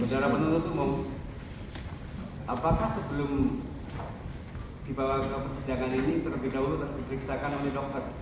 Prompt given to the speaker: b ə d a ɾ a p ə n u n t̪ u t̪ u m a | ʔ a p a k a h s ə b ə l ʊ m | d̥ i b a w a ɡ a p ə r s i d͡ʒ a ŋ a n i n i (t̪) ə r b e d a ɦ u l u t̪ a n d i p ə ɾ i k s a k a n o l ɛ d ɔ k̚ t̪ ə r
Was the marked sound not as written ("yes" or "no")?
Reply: no